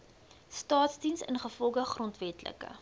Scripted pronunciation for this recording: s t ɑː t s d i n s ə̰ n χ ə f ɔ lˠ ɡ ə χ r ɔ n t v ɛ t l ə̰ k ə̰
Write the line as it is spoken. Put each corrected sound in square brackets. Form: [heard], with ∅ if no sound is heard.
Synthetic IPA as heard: s t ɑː t s d i n s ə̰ n χ ə f ɔ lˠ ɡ ə χ r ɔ n t v ɛ t l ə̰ k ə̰